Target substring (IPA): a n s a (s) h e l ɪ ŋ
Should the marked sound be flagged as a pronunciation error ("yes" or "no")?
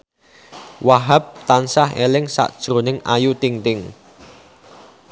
yes